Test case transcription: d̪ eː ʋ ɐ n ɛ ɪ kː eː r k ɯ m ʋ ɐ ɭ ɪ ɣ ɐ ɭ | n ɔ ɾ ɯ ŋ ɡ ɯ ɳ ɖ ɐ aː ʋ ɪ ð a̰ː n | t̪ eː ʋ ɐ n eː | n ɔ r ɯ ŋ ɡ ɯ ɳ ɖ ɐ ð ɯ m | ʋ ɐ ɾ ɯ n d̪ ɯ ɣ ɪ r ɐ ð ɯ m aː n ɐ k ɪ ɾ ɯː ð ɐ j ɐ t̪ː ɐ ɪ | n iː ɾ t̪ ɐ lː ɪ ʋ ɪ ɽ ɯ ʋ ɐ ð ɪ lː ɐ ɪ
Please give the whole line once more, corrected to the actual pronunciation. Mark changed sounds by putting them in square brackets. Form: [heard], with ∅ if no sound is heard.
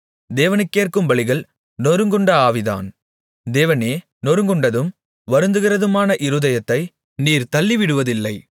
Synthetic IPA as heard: d̪ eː ʋ ɐ n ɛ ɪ kː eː r k ɯ m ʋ ɐ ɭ ɪ ɣ ɐ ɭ | n ɔ ɾ ɯ ŋ ɡ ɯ ɳ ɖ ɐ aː ʋ ɪ ð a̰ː n | [d̪] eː ʋ ɐ n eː | n ɔ [ɾ] ɯ ŋ ɡ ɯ ɳ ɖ ɐ ð ɯ m | ʋ ɐ ɾ ɯ n d̪ ɯ ɣ ɪ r ɐ ð ɯ m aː n ɐ [ʔ] ɪ ɾ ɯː ð ɐ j ɐ t̪ː ɐ ɪ | n iː ɾ t̪ ɐ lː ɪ ʋ ɪ ɽ ɯ ʋ ɐ ð ɪ lː ɐ ɪ